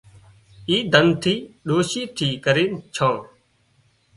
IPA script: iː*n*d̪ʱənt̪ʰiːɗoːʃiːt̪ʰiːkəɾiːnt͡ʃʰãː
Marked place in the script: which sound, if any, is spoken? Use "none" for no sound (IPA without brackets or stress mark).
none